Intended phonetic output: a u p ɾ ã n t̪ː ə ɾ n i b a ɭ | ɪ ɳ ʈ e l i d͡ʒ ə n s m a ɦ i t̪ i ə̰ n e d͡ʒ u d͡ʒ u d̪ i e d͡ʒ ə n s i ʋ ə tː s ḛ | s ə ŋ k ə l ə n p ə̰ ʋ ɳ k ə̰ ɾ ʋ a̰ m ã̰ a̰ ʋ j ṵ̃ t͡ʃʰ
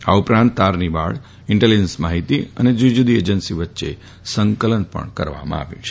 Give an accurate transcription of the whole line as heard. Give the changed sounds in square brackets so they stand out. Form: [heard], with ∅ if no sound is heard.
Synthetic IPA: a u p ɾ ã n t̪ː [a] ɾ n i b a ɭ | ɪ ɳ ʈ e l i d͡ʒ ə n s m a ɦ i t̪ i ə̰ n e d͡ʒ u d͡ʒ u d̪ i e d͡ʒ ə n s i ʋ ə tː [ʃ] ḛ | s ə ŋ k ə l ə n p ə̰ [∅] ɳ k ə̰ ɾ ʋ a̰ m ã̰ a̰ ʋ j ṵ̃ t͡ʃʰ